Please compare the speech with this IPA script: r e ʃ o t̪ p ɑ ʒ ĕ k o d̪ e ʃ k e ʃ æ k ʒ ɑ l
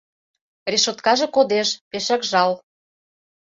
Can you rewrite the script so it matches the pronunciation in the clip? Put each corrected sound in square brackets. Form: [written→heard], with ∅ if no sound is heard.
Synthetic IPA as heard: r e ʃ o t̪ [p→k] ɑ ʒ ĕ k o d̪ e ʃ [k→p] e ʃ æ k ʒ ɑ l